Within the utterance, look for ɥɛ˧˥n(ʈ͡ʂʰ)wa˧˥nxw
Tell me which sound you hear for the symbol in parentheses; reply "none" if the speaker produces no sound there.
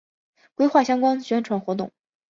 ʈ͡ʂʰ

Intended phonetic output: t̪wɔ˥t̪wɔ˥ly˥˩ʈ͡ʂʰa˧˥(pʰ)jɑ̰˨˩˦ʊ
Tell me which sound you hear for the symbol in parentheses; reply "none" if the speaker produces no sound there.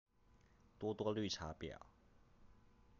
p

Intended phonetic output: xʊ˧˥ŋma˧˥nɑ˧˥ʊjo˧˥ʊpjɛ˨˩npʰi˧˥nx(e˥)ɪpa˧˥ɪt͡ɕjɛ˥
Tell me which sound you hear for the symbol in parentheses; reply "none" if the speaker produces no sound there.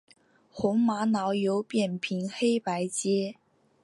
e˥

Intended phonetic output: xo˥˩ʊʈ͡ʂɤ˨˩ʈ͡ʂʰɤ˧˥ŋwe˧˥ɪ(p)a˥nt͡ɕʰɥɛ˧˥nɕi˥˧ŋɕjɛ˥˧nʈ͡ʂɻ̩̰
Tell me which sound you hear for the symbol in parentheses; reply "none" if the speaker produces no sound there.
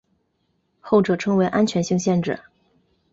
ʔ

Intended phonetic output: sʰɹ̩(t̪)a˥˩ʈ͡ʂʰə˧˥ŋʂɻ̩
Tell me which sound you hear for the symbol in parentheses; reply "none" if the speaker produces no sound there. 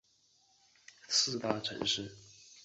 t̪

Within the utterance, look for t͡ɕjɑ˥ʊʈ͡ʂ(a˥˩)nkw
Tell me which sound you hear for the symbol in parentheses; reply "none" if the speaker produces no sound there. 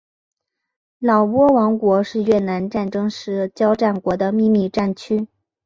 a˥˩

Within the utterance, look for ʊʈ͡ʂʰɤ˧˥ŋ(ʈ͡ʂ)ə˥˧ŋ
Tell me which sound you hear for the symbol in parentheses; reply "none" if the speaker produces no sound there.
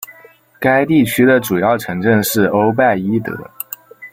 ʈ͡ʂ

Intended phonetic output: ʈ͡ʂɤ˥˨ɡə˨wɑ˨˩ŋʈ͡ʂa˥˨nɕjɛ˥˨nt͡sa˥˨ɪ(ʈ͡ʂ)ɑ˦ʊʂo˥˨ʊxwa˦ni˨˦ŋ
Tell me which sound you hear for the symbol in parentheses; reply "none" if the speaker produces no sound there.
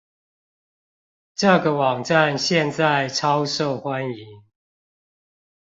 ʈ͡ʂʰ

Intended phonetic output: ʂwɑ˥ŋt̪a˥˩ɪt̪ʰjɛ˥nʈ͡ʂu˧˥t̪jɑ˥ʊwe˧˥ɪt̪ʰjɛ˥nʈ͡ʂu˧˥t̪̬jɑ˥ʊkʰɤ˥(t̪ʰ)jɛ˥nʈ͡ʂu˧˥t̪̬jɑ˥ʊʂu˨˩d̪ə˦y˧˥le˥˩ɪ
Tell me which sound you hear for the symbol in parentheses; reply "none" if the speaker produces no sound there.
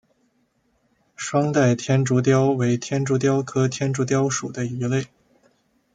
t̪ʰ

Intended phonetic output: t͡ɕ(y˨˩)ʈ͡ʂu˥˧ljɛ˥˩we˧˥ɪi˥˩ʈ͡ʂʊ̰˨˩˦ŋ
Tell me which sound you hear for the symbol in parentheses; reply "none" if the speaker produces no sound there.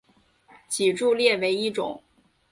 i˨˩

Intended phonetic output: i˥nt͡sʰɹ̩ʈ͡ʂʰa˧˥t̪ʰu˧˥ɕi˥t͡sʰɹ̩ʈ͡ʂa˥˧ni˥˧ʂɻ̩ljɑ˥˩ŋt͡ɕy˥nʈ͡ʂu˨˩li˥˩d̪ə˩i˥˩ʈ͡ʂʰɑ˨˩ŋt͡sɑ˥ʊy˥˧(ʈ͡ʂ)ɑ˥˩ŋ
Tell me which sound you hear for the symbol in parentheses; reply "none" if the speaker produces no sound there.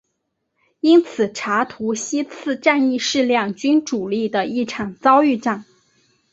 ʈ͡ʂ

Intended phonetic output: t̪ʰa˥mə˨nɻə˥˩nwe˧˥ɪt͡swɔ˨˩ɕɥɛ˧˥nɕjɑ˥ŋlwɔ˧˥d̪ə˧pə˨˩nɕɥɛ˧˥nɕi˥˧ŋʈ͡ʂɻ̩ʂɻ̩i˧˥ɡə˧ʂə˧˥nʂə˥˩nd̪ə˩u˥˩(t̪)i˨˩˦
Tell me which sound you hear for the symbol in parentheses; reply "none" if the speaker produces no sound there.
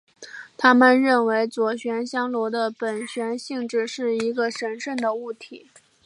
t̪ʰ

